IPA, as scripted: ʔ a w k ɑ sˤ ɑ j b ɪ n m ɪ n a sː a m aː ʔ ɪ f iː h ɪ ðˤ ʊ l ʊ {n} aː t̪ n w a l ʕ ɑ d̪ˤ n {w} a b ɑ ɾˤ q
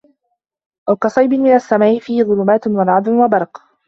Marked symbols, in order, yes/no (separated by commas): no, yes